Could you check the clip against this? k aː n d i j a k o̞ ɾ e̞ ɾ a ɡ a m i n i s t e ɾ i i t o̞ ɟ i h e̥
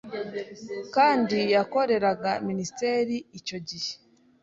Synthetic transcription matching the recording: k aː n d i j a k o̞ ɾ e̞ ɾ a ɡ a m i n i s t e ɾ i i c o̞ ɟ i h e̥